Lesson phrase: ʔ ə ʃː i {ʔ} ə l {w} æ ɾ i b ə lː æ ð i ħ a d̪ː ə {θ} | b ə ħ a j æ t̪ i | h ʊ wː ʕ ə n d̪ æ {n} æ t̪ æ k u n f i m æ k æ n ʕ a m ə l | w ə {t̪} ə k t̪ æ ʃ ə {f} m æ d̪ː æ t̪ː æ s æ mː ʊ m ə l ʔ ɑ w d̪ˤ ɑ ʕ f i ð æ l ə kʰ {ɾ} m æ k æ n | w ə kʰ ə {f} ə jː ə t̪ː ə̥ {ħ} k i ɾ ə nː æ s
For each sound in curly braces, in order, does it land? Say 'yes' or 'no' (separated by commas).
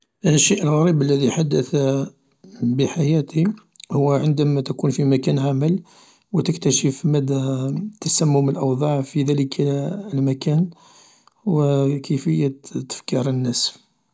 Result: yes, no, yes, no, yes, yes, no, yes, no